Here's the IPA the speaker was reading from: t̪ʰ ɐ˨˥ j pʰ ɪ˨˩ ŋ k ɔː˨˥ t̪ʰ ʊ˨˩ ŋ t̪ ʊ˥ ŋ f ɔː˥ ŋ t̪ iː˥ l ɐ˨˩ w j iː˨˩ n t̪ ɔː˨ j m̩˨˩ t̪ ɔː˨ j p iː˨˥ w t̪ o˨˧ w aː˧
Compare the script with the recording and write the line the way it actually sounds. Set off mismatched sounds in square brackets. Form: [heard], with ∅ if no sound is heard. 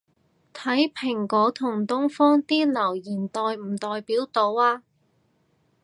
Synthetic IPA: t̪ʰ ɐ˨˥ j pʰ ɪ˨˩ ŋ k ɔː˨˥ t̪ʰ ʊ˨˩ ŋ t̪ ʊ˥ ŋ f ɔː˥ ŋ t̪ iː˥ l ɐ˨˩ w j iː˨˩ n t̪ ɔː˨ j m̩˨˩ t̪ ɔː˨ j p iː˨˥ w t̪ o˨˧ w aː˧